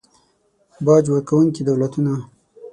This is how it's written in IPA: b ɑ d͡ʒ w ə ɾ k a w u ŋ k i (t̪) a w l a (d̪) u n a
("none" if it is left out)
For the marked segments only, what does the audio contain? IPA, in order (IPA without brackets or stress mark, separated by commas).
d̪, t̪